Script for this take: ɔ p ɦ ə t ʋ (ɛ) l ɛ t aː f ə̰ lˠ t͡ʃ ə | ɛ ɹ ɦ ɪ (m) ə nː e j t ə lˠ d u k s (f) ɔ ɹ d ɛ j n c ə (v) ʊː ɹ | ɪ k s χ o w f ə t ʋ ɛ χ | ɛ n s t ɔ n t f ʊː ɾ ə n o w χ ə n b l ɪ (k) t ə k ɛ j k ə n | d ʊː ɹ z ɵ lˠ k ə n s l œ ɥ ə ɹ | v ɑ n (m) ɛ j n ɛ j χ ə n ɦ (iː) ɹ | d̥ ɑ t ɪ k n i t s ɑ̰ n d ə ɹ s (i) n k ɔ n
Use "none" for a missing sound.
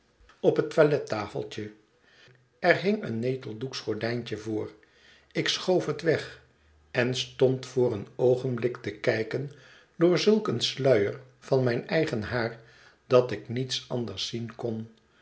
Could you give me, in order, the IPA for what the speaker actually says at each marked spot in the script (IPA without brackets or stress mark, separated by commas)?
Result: a, ŋ, χ, v, k, m, aː, i